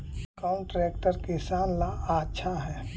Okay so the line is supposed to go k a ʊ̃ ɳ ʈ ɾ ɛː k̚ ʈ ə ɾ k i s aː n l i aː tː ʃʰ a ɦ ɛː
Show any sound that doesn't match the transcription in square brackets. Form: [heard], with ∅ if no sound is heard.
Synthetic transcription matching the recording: k a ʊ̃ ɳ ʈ ɾ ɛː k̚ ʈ ə ɾ k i s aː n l [a] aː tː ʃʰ a ɦ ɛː